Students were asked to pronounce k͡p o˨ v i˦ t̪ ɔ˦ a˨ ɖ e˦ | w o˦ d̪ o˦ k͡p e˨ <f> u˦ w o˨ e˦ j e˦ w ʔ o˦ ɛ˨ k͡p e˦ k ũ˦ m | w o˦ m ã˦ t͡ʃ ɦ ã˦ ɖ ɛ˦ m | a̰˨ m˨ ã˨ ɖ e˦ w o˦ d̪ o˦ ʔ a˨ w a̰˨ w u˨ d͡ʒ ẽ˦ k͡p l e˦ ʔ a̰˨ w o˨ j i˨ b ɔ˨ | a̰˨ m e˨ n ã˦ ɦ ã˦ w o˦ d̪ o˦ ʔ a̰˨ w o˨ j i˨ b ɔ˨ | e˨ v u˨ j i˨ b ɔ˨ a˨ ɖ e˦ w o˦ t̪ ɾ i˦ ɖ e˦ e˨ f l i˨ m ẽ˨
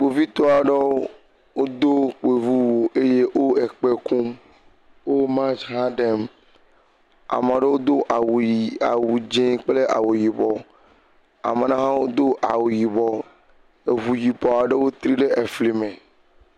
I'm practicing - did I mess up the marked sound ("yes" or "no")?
yes